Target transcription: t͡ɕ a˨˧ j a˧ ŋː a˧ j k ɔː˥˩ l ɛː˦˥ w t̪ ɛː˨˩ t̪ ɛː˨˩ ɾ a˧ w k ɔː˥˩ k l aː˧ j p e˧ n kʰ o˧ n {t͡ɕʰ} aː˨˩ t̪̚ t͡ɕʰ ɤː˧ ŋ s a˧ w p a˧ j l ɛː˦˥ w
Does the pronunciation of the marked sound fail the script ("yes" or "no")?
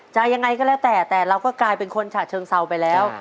no